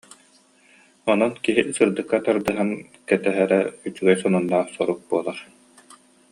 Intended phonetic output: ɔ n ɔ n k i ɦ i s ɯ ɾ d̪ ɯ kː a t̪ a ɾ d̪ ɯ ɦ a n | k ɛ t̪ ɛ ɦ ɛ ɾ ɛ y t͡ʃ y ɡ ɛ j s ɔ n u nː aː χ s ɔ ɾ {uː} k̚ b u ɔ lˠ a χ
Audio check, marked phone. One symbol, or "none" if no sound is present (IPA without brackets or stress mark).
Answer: u